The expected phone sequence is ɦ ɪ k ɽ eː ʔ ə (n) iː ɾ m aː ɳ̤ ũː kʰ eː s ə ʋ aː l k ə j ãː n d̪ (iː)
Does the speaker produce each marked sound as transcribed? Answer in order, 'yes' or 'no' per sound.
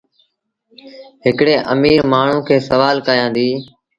no, yes

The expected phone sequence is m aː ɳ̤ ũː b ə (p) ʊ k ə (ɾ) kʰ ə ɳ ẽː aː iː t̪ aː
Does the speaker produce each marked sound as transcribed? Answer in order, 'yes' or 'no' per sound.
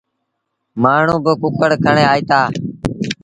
no, no

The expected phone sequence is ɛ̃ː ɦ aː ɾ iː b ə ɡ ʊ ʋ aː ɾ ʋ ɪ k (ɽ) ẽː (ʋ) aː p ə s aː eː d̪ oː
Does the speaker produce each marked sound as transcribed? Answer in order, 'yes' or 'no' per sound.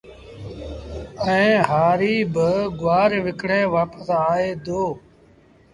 yes, yes

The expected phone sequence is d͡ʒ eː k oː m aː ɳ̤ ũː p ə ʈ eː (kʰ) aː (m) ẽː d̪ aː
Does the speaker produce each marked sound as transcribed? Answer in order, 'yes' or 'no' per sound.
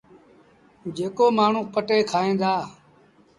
yes, no

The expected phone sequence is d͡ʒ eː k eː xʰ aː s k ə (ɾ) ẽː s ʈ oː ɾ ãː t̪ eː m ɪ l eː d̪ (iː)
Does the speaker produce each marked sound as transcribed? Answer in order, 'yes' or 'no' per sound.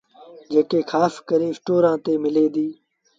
yes, yes

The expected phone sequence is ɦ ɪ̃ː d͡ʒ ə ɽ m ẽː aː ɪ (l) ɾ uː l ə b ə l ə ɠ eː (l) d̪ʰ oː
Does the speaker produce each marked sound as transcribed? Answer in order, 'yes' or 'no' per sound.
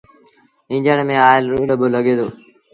yes, no

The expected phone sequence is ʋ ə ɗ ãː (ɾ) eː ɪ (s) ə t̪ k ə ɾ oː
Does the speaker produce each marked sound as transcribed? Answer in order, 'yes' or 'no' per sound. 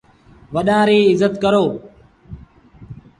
yes, no

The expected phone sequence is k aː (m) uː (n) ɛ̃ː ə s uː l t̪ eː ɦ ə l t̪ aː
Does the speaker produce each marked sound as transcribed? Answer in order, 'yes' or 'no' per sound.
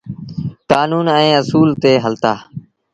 no, yes

